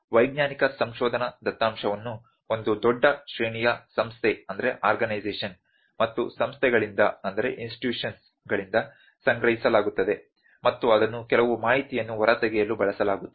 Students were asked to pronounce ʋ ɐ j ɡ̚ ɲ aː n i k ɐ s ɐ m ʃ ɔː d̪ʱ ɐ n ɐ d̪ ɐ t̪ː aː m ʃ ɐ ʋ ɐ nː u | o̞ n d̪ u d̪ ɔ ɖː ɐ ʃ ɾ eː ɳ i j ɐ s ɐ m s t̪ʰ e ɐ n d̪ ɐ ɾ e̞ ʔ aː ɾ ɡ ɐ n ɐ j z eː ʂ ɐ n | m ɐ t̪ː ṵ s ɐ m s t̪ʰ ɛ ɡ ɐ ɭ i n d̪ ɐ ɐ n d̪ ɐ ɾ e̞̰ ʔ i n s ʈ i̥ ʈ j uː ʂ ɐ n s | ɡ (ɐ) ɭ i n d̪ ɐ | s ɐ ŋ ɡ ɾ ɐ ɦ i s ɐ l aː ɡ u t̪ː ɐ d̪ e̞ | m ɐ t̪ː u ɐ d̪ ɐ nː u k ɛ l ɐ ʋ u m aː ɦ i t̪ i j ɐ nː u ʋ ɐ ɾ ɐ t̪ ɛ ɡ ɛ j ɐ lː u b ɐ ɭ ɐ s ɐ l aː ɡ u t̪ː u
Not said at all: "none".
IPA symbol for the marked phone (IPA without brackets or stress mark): ɐ